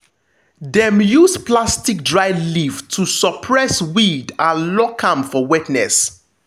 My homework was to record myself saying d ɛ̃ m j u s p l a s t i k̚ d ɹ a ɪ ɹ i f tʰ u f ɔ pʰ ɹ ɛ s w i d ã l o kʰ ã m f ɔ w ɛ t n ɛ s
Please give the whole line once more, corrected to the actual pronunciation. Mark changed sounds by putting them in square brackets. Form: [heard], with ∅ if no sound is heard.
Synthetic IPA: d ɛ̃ m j u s p l a s t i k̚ d ɹ a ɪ [l] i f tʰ u [s] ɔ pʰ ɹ ɛ s w i d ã l [ɔ] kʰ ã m f ɔ w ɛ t n ɛ s

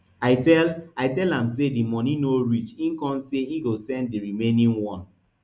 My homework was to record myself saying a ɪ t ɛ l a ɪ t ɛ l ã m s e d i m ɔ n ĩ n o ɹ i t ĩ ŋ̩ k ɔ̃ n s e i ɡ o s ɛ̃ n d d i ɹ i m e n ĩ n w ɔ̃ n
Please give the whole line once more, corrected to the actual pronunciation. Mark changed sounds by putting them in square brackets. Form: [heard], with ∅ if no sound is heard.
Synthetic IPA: a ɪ t ɛ l a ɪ t ɛ l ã m s e d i m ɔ n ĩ n o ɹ i [t͡ʃ] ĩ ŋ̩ k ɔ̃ n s e i ɡ o s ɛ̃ n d d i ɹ i m e n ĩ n w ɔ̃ n

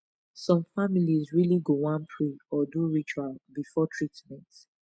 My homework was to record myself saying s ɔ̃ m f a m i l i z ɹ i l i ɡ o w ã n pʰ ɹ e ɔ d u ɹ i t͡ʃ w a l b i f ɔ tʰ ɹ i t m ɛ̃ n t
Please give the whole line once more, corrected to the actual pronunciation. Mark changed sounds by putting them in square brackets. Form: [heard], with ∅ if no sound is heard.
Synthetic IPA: s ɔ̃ m f a m i l i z ɹ i l i ɡ o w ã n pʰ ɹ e ɔ d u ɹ i t͡ʃ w a l b i f ɔ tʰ ɹ i t m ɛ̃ n t

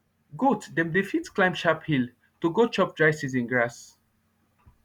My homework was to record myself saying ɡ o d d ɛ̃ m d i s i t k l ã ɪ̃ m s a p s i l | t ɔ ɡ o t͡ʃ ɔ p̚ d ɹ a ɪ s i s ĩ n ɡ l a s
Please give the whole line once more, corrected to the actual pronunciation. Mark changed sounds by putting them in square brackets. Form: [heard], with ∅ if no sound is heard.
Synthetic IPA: ɡ o [t] d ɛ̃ m d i [f] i t k l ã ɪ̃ m [ʃ] a p [h] i l | t [u] ɡ o t͡ʃ ɔ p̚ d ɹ a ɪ s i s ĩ n ɡ [ɹ] a s

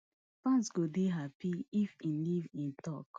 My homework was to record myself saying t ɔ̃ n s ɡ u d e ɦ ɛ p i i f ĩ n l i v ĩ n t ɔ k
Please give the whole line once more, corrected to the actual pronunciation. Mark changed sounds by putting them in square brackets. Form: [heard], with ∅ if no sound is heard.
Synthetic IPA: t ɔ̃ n s ɡ [o] d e ɦ [a] p i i f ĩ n l i v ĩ n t ɔ k

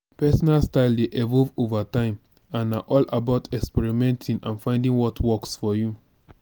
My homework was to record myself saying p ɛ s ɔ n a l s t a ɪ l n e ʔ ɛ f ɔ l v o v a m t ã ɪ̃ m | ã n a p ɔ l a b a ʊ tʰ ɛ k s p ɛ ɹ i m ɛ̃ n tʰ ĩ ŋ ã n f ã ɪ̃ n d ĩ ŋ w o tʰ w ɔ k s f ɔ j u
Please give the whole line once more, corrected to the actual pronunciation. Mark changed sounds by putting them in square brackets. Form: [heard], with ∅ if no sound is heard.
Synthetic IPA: p ɛ s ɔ n a l s t a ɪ l [d] e ʔ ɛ [v] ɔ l v o v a [∅] t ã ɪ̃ m | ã n a [ʔ] ɔ l a b a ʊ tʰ ɛ k s p ɛ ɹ i m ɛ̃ n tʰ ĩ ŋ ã n f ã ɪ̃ n d ĩ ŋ w [ɔ] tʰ w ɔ k s f ɔ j u

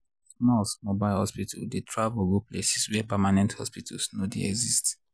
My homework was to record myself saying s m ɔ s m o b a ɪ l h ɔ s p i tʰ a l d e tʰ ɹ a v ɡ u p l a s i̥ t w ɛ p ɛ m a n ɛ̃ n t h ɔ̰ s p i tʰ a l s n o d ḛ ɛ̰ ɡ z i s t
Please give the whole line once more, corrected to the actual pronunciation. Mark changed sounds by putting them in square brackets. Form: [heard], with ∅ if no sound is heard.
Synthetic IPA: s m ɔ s m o b a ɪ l h ɔ s p i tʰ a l d e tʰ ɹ a v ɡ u p l [e] s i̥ [s] w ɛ p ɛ m a n ɛ̃ n t h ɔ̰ s p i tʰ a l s n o d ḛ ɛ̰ ɡ z i s t

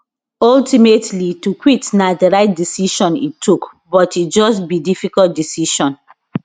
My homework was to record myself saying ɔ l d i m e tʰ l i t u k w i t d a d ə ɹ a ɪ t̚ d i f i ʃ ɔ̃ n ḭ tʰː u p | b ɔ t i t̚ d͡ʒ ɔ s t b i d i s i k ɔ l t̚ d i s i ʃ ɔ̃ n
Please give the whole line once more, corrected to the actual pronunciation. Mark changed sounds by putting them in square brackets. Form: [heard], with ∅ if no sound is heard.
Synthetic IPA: ɔ l [t] i m e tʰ l i t u k w i t [n] a d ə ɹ a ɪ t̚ d i [s] i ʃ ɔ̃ n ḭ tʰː u [k] | b ɔ t i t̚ d͡ʒ ɔ s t b i d i [f] i k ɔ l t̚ d i s i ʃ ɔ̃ n

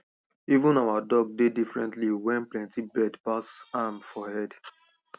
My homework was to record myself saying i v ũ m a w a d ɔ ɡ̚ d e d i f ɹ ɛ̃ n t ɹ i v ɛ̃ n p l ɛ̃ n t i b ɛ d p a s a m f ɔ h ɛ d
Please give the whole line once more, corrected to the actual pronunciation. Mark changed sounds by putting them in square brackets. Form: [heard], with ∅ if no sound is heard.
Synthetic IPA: i v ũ [n] a w a d ɔ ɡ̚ d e d i f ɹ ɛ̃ n t [l] i [w] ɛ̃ n p l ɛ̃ n t i b ɛ d p a s a m f ɔ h ɛ d

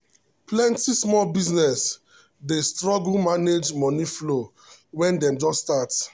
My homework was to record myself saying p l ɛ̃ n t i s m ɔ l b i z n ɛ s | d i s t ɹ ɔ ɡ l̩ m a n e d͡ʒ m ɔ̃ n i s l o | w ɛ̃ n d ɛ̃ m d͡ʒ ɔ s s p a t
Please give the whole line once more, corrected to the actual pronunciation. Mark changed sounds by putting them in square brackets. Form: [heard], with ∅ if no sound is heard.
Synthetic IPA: p l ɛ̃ n t i s m ɔ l b i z n ɛ s | d [e] s t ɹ ɔ ɡ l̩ m a n e d͡ʒ m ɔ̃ n i [f] l o | w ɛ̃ n d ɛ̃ m d͡ʒ ɔ s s [t] a t

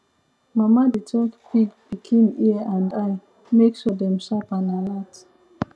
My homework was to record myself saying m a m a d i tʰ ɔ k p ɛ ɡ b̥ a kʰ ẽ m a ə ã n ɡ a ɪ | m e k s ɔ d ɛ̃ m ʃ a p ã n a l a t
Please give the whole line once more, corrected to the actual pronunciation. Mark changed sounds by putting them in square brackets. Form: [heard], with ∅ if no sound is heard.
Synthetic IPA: m a m a d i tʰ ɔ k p [i] ɡ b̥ [i] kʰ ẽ m [i] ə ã n [d] a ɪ | m e k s ɔ d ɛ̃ m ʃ a p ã n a l a t

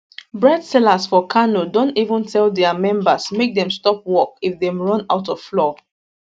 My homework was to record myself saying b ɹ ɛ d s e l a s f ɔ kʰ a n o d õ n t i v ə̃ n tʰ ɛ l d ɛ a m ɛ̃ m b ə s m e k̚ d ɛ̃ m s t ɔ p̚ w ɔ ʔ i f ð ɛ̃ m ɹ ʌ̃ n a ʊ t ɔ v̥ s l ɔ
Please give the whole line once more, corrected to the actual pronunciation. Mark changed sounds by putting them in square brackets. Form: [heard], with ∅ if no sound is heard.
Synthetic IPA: b ɹ ɛ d s [ɛ] l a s f ɔ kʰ a n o d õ n t i v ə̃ n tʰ ɛ l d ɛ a m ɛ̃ m b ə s m e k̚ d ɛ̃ m s t ɔ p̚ w ɔ [k] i f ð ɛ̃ m ɹ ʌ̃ n a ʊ t ɔ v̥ [f] l ɔ

